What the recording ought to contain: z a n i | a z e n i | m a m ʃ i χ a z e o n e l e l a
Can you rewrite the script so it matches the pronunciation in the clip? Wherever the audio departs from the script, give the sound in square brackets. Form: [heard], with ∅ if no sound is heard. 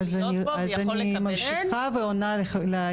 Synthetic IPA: z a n i | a z [a] n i | m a m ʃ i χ a [v] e o n [a] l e l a